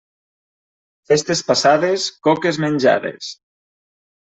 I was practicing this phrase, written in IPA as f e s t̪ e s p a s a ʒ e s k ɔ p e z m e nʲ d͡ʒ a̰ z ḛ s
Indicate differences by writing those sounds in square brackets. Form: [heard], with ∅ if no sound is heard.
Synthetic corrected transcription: f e s t̪ e s p a s a [ð] e s k ɔ [k] e z m e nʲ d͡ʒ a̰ [ð] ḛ s